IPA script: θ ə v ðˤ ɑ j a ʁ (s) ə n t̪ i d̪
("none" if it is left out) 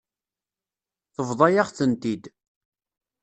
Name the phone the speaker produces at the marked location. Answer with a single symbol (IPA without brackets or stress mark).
θ